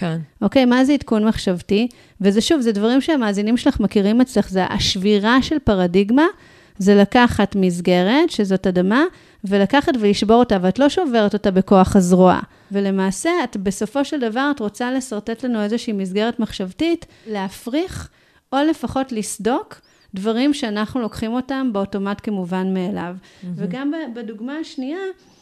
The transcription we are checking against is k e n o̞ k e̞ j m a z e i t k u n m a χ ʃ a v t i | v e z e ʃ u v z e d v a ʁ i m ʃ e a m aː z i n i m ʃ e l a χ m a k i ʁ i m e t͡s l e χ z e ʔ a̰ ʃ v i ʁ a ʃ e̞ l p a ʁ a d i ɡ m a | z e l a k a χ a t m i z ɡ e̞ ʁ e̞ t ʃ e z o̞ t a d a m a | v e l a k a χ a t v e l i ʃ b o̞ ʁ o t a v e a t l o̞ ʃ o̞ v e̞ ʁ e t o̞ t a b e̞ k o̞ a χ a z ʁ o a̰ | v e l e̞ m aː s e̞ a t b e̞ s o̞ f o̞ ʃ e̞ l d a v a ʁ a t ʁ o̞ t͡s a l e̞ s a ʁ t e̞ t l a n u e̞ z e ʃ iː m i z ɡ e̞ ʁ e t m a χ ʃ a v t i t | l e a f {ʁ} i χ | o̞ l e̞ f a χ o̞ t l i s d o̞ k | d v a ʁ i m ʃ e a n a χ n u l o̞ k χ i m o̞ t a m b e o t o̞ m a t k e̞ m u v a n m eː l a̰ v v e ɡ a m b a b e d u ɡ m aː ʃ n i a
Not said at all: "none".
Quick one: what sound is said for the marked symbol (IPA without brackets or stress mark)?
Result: ʁ